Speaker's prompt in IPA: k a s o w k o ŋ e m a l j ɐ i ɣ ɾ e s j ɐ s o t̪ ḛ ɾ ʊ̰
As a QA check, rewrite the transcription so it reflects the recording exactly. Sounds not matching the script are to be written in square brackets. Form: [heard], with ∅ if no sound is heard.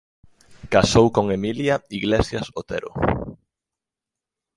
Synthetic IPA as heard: k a s o w k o ŋ e m [i] l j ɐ i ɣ [l] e s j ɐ s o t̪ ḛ ɾ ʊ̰